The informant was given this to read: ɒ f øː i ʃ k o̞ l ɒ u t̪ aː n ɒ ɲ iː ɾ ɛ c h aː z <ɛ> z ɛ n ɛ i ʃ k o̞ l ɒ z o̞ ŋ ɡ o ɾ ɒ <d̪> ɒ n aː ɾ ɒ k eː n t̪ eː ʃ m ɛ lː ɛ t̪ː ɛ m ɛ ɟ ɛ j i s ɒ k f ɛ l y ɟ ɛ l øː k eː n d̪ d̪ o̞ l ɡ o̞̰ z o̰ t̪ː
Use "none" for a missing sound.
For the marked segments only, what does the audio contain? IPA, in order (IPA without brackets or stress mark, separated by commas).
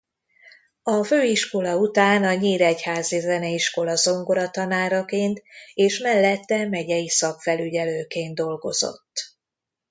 i, t̪